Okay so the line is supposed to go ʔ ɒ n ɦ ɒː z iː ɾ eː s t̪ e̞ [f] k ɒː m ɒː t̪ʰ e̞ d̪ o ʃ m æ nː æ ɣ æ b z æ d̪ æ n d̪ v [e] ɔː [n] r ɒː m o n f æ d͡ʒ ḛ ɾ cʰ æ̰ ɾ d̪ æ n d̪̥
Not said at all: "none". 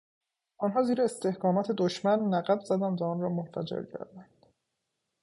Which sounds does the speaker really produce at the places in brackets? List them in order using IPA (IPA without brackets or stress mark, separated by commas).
h, æ, n